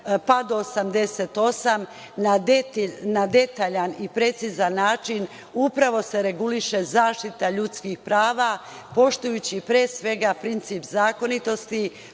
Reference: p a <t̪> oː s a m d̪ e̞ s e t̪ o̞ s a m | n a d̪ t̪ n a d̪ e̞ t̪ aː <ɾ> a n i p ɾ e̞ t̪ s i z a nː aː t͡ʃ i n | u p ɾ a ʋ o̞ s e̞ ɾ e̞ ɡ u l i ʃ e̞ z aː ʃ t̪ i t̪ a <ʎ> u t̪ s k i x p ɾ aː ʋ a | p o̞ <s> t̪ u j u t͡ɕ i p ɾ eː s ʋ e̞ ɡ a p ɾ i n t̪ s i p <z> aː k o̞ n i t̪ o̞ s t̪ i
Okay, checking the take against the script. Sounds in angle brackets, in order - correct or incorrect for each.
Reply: incorrect, incorrect, correct, incorrect, correct

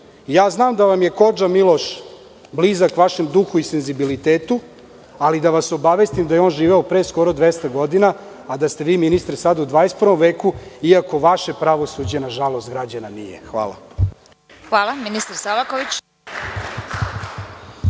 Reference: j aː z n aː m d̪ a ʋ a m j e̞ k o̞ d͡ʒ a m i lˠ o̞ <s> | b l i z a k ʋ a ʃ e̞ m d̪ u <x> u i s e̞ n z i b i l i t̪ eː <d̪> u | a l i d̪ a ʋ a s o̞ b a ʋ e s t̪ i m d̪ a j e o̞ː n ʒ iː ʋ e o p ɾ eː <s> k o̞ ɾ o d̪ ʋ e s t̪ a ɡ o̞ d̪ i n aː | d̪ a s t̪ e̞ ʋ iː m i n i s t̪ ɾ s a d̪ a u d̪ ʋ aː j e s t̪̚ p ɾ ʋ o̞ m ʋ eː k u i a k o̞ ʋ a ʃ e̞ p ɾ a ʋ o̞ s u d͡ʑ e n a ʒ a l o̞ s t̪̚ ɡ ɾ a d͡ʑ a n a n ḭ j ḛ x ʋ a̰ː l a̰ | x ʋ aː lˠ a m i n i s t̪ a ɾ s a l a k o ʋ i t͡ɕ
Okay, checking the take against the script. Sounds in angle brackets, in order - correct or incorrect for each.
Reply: incorrect, correct, incorrect, correct

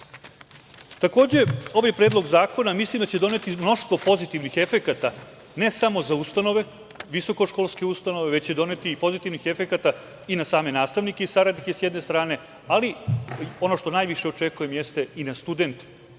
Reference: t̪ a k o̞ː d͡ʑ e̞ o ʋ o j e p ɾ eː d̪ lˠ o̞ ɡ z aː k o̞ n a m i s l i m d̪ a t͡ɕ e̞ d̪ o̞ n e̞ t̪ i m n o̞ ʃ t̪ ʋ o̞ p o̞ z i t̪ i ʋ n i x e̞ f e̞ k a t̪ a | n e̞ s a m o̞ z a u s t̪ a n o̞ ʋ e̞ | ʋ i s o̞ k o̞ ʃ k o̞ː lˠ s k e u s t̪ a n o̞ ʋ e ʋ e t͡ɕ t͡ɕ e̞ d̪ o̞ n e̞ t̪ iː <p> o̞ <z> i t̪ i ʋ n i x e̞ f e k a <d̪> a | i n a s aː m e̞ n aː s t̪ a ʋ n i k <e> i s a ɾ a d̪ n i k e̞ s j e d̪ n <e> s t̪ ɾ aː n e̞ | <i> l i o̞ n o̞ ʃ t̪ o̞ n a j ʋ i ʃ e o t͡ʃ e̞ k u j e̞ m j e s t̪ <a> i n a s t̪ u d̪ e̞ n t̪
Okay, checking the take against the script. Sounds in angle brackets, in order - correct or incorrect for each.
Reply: correct, correct, incorrect, correct, correct, incorrect, incorrect

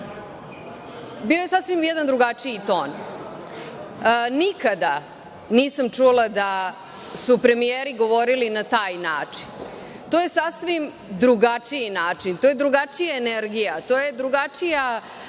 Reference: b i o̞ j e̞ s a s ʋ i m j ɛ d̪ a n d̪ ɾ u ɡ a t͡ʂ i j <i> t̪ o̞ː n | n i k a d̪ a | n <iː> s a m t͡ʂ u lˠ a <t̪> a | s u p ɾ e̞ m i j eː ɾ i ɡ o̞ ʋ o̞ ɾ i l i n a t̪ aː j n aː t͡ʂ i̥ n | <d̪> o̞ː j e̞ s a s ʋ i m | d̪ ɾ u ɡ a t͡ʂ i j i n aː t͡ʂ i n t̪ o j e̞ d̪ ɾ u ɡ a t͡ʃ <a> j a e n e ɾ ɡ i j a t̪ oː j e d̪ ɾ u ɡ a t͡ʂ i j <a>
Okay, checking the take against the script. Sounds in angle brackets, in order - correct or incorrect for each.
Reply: correct, correct, incorrect, incorrect, incorrect, correct

